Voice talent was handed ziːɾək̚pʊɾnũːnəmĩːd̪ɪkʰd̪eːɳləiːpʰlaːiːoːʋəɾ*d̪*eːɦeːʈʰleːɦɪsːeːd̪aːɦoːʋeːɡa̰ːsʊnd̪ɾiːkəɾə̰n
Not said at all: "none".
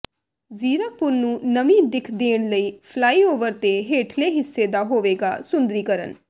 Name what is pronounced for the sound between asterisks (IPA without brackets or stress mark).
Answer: t̪